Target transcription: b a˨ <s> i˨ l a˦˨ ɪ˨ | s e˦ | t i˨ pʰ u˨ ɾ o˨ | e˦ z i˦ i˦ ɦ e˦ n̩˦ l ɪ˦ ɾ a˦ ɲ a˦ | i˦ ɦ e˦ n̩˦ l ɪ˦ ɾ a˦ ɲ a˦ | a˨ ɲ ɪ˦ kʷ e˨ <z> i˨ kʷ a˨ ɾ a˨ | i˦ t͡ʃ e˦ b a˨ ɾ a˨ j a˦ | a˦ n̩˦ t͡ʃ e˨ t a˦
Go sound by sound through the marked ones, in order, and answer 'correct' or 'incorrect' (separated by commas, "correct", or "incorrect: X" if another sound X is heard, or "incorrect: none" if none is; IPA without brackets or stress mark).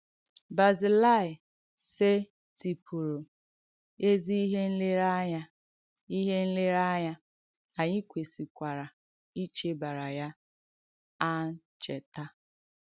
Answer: incorrect: z, incorrect: s